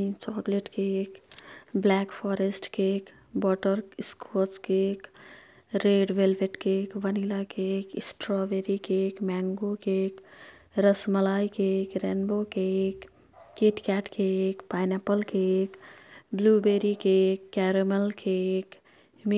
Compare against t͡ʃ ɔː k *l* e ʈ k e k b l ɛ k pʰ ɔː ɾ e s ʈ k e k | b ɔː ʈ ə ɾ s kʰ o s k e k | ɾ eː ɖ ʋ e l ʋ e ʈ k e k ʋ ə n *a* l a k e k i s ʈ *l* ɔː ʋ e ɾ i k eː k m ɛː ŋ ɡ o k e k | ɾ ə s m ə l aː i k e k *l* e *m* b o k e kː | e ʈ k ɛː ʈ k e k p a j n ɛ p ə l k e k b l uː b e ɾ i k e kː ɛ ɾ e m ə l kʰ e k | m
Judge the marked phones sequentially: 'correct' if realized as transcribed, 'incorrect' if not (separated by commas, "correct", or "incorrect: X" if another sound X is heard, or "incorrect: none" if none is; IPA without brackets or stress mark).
correct, incorrect: i, incorrect: ɾ, incorrect: ɾ, incorrect: n